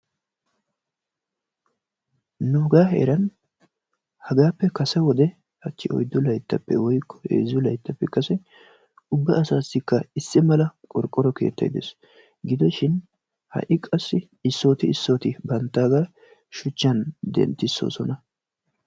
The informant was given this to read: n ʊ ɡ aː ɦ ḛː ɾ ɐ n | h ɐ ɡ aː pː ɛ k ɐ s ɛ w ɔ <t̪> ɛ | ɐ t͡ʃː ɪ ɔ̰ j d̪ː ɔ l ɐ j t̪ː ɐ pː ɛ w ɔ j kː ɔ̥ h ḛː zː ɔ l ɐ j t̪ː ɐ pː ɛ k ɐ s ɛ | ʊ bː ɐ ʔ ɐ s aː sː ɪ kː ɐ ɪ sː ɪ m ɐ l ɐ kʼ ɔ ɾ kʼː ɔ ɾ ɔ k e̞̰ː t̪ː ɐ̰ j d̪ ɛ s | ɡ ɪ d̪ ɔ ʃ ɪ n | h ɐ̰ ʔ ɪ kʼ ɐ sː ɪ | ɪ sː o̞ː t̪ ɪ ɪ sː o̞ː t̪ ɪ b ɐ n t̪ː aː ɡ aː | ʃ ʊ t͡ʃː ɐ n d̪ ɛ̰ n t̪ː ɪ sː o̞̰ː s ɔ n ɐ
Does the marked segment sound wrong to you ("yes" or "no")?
yes